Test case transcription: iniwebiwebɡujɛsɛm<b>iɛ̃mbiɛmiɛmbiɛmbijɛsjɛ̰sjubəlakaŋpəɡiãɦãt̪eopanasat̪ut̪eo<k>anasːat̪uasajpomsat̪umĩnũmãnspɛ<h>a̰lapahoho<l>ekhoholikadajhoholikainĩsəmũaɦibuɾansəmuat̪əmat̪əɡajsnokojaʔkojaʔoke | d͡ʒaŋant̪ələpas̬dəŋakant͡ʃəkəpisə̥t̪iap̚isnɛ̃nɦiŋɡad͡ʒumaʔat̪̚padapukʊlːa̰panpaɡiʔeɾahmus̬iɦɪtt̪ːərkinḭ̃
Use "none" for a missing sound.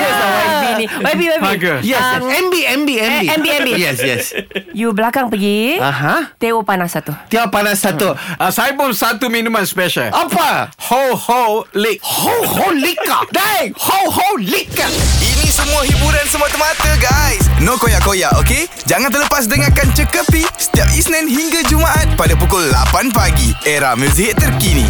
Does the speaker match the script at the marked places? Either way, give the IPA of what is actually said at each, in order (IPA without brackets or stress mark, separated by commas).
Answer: b, p, ʃ, l